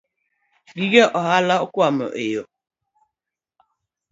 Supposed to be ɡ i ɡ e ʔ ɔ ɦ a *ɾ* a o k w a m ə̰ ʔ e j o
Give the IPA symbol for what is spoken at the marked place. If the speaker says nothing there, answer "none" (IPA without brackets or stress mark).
l